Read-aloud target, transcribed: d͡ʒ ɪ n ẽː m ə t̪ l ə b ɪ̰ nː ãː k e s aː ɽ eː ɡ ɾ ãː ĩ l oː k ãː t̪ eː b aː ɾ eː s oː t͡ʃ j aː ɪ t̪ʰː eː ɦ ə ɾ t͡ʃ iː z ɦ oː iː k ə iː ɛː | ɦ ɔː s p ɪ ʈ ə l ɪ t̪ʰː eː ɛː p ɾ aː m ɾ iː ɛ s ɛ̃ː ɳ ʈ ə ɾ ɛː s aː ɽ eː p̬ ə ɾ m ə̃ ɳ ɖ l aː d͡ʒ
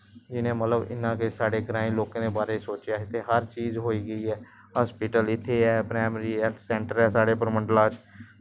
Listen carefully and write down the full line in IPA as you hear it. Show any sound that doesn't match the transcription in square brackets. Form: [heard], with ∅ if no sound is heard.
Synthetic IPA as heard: d͡ʒ ɪ n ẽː m ə t̪ l ə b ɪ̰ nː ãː k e s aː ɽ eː ɡ ɾ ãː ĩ l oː k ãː [d̪] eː b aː ɾ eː s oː t͡ʃ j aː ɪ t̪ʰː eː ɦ ə ɾ t͡ʃ iː z ɦ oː iː [ɡ] ə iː ɛː | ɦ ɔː s p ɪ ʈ ə l ɪ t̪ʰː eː ɛː p ɾ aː m ɾ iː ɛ s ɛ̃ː ɳ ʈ ə ɾ ɛː s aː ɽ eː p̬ ə ɾ m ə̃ ɳ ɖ l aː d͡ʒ